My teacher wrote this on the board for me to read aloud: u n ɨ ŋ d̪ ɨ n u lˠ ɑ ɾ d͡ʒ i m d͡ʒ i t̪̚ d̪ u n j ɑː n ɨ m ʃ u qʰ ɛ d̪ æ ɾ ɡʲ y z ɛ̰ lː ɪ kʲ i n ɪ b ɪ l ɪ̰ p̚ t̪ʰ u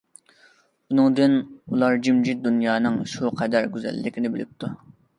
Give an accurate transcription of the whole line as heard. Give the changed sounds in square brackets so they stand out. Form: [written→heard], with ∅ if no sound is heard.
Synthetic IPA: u n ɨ ŋ d̪ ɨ n u lˠ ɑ ɾ d͡ʒ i m d͡ʒ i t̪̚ d̪ u n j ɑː n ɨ [m→ŋ] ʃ u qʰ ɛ d̪ æ ɾ ɡʲ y z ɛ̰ lː ɪ kʲ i n ɪ b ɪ l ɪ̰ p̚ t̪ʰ u